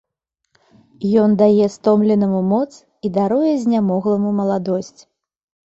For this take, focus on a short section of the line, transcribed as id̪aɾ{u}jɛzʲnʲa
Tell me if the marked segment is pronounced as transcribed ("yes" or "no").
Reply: yes